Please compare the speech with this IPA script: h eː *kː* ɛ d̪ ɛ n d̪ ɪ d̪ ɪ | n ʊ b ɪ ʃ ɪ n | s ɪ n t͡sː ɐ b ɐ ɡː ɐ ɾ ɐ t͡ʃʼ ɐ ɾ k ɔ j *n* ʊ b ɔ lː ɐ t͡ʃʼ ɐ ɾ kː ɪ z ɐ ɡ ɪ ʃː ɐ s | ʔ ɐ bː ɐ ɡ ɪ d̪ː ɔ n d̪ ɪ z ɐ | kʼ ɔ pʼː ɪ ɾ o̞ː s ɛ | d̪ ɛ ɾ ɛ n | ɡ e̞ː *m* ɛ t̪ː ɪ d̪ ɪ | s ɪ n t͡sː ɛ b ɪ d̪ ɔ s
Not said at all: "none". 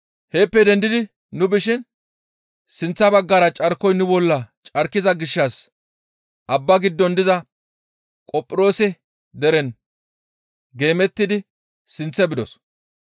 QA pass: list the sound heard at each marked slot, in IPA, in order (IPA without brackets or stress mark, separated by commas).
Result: pː, n, m